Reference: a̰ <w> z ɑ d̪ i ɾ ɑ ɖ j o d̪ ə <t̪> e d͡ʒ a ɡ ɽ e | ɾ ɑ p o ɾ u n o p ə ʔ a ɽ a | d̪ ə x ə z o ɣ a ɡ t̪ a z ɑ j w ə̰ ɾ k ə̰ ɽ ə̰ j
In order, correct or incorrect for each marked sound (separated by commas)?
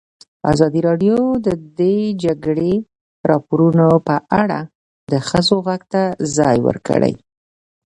incorrect, incorrect